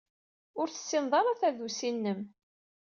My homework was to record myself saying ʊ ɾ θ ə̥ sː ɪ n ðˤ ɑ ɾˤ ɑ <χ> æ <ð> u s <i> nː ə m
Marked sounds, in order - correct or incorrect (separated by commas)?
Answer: incorrect, correct, correct